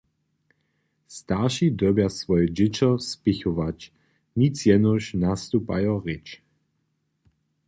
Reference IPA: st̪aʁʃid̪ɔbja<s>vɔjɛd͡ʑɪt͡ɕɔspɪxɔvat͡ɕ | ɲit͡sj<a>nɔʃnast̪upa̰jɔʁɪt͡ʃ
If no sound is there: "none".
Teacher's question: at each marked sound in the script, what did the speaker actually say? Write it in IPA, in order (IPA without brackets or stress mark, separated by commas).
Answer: s, ɛ